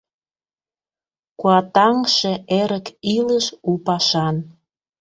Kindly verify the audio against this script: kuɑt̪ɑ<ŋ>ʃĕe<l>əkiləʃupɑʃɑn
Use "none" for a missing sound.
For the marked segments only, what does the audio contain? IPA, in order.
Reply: ŋ, ɾ

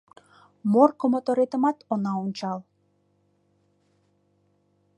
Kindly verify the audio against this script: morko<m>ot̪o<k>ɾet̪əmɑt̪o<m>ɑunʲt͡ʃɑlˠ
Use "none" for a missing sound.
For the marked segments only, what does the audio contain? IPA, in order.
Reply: m, none, n

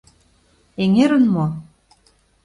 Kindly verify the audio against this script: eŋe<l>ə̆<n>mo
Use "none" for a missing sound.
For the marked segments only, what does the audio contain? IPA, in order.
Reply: ɾ, n

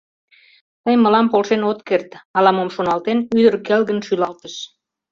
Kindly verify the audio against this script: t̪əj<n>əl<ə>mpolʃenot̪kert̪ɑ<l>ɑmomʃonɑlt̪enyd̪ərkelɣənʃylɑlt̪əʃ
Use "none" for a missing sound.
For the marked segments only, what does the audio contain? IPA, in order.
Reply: m, ɑ, l

